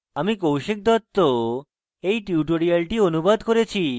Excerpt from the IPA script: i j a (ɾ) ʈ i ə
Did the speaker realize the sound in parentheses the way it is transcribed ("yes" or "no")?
no